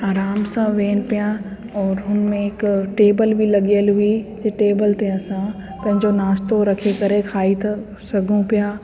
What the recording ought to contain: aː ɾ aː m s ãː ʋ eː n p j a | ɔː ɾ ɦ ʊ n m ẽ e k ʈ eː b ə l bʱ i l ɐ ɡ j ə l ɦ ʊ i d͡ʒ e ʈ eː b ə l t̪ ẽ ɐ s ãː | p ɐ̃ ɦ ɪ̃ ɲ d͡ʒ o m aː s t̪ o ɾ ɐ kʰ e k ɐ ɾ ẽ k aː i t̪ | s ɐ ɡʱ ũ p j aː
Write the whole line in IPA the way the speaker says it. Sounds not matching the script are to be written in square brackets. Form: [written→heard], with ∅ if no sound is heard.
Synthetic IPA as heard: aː ɾ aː m s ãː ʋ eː n p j a | ɔː ɾ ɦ ʊ n m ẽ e k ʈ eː b ə l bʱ i l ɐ ɡ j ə l ɦ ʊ i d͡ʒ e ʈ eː b ə l t̪ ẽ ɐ s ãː | p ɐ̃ ɦ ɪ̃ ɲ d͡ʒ o [m→n] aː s t̪ o ɾ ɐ kʰ e k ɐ ɾ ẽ [k→kʰ] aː i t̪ | s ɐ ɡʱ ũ p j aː